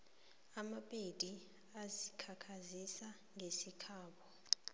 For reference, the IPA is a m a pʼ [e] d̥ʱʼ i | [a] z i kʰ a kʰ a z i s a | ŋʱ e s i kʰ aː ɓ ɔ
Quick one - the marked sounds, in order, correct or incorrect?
correct, correct

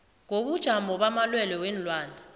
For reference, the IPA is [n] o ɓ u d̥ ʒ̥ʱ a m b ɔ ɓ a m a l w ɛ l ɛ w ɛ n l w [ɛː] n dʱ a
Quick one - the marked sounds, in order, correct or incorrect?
incorrect: ŋ, incorrect: aː

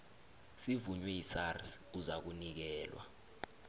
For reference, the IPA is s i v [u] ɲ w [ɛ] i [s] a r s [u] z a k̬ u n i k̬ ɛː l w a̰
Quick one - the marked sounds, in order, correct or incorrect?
correct, correct, correct, correct

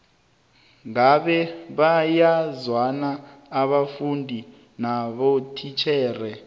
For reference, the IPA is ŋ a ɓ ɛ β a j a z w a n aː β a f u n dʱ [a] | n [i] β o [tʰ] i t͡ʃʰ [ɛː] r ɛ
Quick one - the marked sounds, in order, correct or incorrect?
incorrect: i, incorrect: a, correct, correct

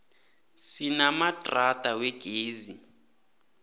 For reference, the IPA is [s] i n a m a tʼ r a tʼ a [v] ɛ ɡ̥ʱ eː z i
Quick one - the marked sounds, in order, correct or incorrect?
correct, incorrect: w

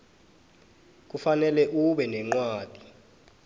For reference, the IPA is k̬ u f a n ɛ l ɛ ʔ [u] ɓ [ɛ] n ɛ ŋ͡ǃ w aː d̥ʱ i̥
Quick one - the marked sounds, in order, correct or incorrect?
correct, correct

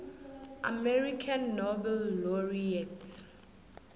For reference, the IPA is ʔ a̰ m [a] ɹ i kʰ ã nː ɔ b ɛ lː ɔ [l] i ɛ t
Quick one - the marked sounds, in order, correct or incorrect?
incorrect: ɛ, incorrect: ɹ

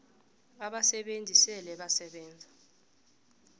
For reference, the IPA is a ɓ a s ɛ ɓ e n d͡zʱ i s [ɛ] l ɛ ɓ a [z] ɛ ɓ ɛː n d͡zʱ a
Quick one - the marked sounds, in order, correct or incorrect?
correct, incorrect: s

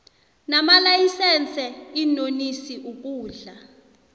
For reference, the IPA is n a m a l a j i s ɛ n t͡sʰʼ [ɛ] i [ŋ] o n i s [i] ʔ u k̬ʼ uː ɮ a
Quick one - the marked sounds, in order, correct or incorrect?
correct, incorrect: n, correct

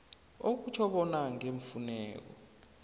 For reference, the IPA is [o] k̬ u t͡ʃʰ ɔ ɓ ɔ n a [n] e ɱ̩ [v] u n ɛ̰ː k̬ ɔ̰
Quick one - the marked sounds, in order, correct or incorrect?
correct, incorrect: ŋ, incorrect: f

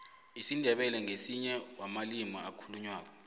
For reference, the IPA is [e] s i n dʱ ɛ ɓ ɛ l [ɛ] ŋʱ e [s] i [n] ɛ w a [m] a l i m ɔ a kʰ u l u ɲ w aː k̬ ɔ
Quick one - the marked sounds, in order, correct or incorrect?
incorrect: i, correct, correct, incorrect: ɲ, correct

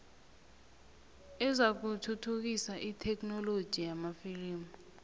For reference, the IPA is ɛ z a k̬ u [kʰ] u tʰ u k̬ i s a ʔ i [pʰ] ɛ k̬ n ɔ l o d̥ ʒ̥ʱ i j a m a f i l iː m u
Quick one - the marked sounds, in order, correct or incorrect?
incorrect: tʰ, incorrect: tʰ

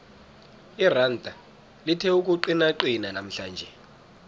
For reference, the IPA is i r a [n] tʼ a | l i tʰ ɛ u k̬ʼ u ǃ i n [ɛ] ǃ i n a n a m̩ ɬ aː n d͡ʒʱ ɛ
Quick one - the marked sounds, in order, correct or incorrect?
correct, incorrect: a

